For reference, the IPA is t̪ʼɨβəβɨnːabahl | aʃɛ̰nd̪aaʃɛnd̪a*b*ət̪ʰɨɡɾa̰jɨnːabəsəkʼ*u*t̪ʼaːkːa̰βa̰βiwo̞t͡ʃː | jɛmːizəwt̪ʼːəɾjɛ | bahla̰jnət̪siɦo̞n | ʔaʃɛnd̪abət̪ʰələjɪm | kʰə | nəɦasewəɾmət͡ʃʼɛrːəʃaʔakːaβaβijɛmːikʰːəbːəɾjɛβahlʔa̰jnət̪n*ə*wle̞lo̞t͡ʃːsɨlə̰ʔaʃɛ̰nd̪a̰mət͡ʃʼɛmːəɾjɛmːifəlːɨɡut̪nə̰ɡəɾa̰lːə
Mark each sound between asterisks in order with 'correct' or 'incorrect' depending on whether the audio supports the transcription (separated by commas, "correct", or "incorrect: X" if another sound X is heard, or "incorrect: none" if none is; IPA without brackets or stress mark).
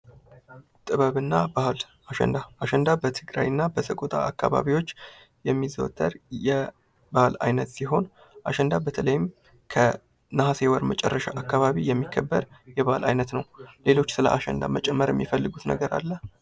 correct, incorrect: o, correct